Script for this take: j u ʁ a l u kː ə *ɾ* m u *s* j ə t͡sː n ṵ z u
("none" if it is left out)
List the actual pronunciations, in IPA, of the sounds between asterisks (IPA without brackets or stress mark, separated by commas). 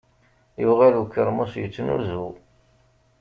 ɾ, s